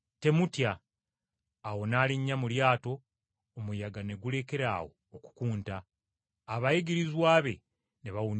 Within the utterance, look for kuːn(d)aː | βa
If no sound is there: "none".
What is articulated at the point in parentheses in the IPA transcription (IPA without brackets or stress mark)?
t